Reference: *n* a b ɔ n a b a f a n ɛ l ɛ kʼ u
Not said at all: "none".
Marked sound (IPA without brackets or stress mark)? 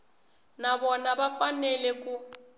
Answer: n